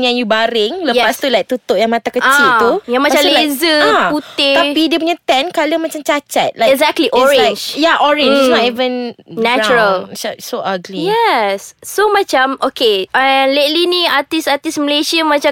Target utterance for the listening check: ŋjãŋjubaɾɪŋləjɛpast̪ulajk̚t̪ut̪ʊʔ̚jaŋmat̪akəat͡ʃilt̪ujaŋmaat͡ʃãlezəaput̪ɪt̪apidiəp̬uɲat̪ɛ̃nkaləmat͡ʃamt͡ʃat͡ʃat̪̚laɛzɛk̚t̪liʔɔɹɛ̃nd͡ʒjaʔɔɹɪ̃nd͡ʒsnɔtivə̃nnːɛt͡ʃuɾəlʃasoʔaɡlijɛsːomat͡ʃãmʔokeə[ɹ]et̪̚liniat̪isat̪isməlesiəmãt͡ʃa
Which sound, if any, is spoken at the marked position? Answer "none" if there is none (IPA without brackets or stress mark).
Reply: l